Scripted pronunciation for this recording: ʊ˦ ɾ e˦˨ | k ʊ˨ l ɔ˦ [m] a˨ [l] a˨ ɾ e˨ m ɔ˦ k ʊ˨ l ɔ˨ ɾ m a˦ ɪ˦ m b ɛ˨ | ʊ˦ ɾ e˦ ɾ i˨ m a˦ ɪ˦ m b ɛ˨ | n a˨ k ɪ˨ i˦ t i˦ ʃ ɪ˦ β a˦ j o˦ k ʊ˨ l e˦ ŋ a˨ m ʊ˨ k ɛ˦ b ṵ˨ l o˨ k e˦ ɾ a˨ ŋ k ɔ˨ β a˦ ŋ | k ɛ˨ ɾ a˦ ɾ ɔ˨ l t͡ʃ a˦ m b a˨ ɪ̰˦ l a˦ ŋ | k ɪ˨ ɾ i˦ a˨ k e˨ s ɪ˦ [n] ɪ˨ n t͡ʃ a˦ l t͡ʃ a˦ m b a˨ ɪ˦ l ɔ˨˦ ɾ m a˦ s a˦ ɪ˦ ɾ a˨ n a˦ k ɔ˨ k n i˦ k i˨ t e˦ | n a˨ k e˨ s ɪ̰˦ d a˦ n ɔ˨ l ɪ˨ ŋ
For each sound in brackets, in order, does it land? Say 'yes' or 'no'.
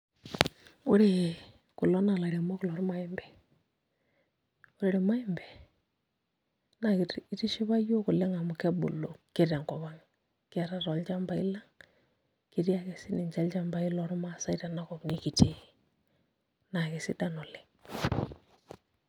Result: no, yes, yes

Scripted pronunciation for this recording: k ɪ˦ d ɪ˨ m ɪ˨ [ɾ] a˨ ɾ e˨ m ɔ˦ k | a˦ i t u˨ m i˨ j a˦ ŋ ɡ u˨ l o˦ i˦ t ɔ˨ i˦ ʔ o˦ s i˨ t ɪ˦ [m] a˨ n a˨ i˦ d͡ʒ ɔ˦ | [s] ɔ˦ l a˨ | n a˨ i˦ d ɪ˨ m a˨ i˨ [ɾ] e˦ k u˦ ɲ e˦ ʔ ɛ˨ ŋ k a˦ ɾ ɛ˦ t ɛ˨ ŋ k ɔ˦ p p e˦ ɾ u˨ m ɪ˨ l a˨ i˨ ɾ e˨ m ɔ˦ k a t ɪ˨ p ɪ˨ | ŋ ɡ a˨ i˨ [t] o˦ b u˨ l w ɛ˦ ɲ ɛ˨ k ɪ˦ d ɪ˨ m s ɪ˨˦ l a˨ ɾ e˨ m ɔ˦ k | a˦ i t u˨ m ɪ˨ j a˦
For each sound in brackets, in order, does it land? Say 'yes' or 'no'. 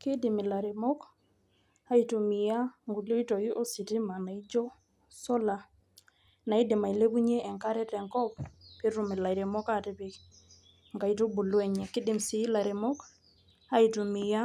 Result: no, yes, yes, no, yes

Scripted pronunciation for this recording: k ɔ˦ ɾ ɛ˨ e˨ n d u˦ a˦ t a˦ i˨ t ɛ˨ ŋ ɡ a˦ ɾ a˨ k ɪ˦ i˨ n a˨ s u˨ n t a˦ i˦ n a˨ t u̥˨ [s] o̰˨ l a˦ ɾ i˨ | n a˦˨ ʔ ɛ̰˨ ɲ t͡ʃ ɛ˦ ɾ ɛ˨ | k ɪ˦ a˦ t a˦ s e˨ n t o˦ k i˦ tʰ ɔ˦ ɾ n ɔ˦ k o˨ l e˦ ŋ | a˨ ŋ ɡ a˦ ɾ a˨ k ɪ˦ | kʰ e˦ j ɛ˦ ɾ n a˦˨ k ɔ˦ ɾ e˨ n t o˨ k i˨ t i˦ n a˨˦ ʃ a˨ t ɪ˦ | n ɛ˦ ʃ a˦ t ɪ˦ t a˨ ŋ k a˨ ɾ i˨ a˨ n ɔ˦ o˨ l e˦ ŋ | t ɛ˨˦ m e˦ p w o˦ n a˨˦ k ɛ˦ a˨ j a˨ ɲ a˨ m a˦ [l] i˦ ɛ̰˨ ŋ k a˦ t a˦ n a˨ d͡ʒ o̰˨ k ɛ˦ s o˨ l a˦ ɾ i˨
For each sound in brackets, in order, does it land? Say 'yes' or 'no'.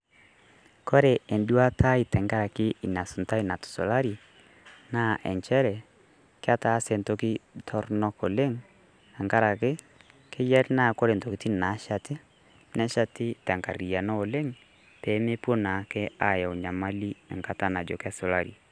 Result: yes, yes

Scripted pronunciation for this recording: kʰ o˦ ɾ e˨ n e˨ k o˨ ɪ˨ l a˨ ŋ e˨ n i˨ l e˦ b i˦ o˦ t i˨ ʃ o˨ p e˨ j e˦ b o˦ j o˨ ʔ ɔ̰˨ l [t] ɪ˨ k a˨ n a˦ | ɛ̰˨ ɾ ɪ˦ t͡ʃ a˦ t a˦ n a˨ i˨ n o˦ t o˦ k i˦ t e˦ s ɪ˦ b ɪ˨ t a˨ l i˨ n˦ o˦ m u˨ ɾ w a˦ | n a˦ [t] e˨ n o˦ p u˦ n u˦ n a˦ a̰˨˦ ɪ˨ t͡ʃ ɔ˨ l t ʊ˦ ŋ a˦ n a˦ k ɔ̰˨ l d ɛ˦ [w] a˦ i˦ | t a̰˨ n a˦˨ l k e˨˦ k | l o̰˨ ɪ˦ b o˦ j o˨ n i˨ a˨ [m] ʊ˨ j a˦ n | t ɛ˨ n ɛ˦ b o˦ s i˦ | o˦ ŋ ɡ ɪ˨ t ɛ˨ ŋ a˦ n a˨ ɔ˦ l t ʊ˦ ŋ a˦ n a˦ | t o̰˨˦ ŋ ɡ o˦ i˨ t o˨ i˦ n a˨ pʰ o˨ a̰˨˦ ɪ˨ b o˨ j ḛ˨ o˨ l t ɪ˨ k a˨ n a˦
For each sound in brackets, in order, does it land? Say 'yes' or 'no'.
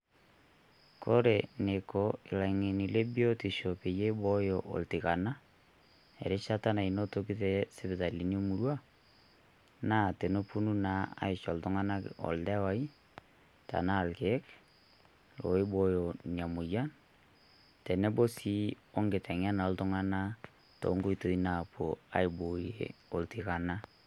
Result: yes, yes, yes, yes

